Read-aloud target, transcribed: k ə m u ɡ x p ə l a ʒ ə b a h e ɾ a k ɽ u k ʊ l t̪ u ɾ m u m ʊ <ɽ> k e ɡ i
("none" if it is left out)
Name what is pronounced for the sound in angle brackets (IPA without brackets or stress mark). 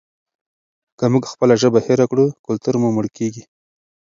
ɽ